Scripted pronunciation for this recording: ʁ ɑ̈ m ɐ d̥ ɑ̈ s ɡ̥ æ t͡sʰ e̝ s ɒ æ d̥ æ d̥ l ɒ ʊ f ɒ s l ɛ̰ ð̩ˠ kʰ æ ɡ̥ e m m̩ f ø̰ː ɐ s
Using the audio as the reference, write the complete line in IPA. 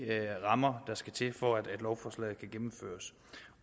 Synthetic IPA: ʁ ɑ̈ m ɐ d̥ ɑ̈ s ɡ̥ æ t͡sʰ e̝ f ɒ æ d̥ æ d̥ l ɒ ʊ f ɒ s l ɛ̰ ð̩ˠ kʰ æ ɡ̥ e m m̩ f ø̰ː ɐ s

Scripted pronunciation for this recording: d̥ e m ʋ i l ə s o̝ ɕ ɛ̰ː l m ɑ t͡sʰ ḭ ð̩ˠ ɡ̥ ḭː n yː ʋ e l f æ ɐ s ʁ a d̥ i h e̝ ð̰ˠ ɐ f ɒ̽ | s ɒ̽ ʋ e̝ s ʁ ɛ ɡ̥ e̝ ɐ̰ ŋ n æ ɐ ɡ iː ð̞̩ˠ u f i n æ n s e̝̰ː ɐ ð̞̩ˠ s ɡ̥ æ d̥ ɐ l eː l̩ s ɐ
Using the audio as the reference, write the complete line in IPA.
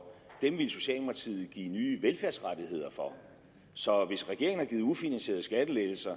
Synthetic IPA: d̥ e m ʋ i l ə s o̝ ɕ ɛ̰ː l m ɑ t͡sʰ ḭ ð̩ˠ ɡ̥ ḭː n yː ʋ e l f æ ɐ s ʁ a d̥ i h e̝ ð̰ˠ ɐ f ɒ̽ | s ɒ̽ ʋ e̝ s ʁ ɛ ɡ̥ e̝ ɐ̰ ŋ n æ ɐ ɡ iː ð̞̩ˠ u f i n æ n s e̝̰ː ɐ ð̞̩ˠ s ɡ̥ æ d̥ ə l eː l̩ s ɐ

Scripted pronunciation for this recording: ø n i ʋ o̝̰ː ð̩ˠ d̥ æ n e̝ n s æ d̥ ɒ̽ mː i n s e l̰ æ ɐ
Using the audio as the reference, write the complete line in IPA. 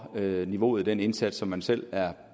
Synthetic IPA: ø n i ʋ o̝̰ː ð̩ˠ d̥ e n e̝ n s æ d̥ ɒ̽ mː æ n s e l̰ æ ɐ

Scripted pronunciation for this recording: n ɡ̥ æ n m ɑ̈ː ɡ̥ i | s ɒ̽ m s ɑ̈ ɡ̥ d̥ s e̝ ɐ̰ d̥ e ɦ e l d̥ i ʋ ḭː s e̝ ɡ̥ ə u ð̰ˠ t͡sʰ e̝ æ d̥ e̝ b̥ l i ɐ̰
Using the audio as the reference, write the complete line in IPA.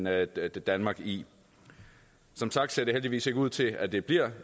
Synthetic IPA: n d̥ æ n m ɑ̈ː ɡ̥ i | s ɒ̽ m s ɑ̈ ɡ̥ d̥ s e̝ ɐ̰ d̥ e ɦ e l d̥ i ʋ ḭː s e̝ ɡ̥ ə u ð̰ˠ t͡sʰ e̝ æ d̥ e̝ b̥ l i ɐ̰

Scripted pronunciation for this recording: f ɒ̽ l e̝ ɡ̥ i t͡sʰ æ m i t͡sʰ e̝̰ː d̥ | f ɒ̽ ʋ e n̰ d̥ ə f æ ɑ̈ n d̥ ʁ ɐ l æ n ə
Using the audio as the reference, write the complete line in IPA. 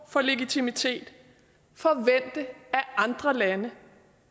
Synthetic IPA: f ɒ̽ l e̝ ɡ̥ i t͡sʰ i m i t͡sʰ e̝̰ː d̥ | f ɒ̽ ʋ e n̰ d̥ ə æ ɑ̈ n d̥ ʁ ɐ l æ n ə

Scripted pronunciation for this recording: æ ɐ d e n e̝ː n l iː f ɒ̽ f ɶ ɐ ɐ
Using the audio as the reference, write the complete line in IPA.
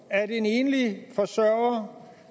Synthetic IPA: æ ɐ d e n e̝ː n l i f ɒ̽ s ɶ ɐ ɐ

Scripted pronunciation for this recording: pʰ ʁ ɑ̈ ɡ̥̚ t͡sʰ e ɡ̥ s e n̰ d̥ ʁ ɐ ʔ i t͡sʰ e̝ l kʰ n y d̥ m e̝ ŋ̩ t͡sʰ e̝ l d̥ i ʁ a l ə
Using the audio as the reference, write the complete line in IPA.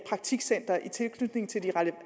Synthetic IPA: pʰ ʁ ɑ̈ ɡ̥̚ t͡sʰ i ɡ̥ s e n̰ d̥ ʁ ɐ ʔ i t͡sʰ e̝ l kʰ n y d̥ n e̝ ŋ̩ t͡sʰ e̝ l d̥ i ʁ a l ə

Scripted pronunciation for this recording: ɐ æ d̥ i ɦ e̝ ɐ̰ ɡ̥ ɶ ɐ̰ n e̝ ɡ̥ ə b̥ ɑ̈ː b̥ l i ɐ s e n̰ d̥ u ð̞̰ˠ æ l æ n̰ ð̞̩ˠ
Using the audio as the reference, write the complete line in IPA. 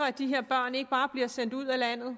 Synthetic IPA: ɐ æ d̥ i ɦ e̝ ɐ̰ b̥ ɶ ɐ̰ n e̝ ɡ̥ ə b̥ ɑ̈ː b̥ l i ɐ s e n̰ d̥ u ð̞̰ˠ æ l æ n̰ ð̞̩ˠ

